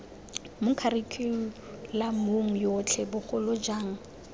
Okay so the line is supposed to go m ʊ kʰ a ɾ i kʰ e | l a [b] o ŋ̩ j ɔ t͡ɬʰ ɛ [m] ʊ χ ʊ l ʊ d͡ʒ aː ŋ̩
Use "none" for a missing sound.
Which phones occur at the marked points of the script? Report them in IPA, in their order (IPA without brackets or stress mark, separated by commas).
m, b